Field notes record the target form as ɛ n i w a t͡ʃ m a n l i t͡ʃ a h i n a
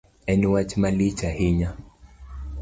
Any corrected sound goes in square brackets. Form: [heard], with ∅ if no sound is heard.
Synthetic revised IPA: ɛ n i w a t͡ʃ m a [∅] l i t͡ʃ a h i [ɲ] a